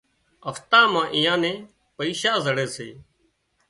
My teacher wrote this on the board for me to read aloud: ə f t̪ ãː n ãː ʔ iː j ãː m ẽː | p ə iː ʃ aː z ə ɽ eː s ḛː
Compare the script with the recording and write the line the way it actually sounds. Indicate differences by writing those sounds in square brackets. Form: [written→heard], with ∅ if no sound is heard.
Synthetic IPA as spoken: ə f t̪ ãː [n→m] ãː ʔ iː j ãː [m→n] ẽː | p ə iː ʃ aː z ə ɽ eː s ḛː